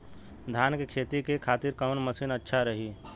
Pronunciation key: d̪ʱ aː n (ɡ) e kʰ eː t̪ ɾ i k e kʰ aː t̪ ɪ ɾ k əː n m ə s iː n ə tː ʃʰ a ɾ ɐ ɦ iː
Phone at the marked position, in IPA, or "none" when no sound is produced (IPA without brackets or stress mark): k